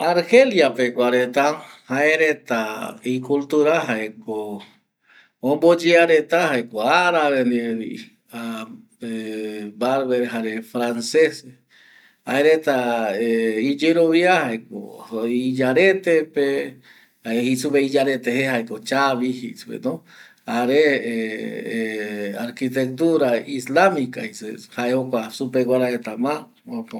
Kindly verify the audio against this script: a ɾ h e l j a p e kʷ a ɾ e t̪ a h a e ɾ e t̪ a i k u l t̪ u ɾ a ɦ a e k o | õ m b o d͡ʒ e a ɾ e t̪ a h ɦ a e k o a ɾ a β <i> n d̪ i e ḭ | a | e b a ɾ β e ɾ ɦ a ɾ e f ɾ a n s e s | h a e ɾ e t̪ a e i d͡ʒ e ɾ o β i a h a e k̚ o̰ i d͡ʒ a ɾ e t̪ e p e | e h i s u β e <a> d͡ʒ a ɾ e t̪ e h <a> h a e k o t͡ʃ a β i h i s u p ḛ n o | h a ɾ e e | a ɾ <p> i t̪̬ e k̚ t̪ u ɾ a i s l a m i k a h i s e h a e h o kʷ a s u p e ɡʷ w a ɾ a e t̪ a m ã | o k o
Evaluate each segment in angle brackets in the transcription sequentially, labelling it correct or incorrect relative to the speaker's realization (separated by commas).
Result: incorrect, incorrect, incorrect, incorrect